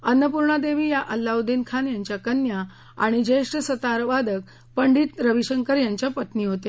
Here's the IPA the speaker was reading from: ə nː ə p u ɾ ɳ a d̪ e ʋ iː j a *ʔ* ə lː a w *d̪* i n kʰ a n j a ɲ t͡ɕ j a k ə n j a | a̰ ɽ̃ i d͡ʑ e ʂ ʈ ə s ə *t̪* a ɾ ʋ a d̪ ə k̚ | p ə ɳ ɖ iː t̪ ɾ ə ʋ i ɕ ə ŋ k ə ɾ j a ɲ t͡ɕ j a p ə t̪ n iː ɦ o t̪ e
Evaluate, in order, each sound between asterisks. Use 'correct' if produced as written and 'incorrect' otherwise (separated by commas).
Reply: correct, correct, correct